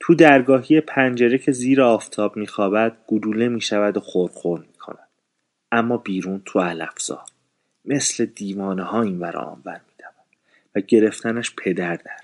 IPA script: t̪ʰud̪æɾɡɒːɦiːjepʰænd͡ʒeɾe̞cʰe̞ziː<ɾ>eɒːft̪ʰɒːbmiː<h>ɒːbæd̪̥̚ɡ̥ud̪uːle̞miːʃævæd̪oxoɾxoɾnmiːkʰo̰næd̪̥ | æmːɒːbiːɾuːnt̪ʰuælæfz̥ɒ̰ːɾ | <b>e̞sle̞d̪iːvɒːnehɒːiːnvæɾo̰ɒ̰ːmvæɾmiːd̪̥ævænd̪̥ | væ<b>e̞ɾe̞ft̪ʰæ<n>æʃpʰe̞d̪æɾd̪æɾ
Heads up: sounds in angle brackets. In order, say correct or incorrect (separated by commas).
correct, incorrect, incorrect, incorrect, correct